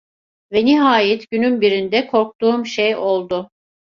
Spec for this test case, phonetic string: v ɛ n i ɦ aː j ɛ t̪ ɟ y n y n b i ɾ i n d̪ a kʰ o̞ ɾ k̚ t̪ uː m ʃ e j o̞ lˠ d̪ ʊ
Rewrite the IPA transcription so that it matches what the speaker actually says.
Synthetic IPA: v ɛ n i ɦ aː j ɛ t̪ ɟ y n y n b i ɾ i n d̪ ɛ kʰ o̞ ɾ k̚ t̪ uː m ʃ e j o̞ lˠ d̪ ʊ